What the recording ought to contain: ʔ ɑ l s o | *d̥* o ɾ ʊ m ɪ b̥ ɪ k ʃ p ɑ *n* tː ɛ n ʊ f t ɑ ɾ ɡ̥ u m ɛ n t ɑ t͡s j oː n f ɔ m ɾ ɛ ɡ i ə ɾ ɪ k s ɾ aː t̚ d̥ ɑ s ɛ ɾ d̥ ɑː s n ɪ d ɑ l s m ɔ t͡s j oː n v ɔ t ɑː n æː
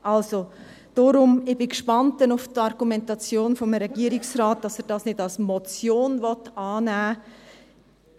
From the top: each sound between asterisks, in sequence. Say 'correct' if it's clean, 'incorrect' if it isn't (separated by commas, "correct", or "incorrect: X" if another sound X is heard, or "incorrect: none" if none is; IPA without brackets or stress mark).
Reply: correct, correct